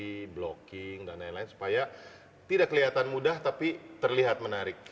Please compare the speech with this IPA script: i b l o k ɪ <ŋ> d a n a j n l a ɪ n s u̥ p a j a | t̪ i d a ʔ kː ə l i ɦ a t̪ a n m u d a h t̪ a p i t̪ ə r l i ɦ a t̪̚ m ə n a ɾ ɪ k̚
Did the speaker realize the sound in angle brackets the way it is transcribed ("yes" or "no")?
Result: yes